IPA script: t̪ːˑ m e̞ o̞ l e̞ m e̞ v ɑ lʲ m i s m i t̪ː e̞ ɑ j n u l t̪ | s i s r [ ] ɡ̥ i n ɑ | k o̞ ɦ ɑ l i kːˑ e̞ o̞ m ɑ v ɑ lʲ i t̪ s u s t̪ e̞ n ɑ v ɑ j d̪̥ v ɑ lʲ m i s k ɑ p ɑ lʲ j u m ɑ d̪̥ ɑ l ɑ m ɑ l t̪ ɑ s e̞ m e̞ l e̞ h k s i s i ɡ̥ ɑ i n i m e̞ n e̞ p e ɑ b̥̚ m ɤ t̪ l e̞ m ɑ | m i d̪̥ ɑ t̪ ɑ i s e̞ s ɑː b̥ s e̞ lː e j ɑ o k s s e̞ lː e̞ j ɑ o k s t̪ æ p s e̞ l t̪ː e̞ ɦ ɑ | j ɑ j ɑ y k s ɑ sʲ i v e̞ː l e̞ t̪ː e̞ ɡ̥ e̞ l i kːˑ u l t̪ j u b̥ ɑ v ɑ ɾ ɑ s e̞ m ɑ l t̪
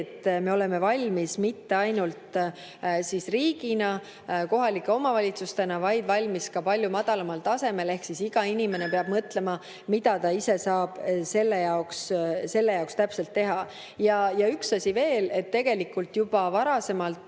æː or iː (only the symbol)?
iː